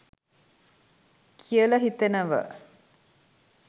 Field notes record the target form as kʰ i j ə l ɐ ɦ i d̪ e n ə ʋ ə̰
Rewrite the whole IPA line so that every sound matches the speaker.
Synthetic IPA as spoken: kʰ i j ə l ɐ ɦ i t̪ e n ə ʋ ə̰